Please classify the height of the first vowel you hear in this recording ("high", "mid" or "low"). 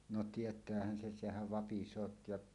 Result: mid